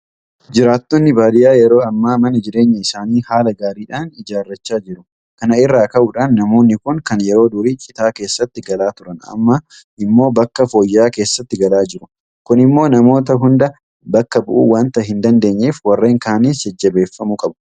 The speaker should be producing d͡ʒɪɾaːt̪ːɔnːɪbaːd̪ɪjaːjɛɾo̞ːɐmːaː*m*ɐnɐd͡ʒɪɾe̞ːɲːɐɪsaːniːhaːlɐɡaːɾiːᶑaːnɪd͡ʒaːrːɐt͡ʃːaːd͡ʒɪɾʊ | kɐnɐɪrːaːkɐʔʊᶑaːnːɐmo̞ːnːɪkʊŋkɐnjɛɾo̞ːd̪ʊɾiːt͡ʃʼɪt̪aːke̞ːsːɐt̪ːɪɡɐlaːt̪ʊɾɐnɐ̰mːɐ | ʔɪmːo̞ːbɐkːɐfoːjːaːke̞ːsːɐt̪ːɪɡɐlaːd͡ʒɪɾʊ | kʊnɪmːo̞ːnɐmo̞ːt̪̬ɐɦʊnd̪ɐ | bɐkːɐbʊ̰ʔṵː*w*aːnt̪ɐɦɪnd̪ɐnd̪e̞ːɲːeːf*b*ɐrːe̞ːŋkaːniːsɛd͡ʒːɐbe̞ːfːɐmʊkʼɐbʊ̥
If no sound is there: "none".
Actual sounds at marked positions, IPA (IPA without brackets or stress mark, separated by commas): m, w, w